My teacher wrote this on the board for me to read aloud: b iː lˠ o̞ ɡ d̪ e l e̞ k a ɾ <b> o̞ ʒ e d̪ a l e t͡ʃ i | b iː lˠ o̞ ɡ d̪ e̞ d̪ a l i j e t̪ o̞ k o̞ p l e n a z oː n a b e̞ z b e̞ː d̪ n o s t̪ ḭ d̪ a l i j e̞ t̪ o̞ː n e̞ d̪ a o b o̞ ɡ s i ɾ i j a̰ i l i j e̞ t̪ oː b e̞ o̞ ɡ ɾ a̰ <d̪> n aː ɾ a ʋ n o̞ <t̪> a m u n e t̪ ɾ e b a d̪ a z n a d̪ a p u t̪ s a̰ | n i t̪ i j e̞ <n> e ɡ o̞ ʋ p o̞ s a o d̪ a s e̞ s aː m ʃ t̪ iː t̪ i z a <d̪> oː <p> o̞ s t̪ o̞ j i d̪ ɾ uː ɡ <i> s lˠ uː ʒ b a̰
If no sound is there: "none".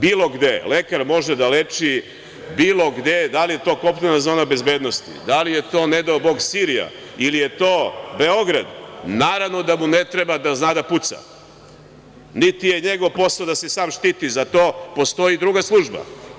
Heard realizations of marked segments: m, d̪, d̪, ɲ, t̪, p, a

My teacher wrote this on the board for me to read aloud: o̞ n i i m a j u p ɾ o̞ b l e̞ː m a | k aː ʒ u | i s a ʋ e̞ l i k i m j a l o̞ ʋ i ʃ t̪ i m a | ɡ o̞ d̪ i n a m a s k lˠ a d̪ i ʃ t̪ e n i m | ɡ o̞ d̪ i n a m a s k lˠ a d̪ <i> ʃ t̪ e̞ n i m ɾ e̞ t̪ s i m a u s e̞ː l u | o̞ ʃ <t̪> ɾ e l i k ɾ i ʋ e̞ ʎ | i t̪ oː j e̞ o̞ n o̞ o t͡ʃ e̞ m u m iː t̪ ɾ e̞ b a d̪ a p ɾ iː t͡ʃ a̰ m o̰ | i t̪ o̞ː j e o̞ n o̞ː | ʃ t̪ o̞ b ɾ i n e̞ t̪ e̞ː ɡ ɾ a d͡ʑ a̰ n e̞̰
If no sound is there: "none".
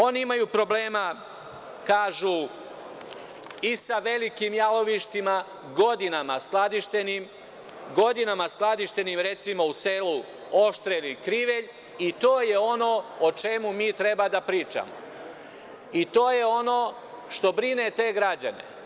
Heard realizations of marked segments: i, t̪

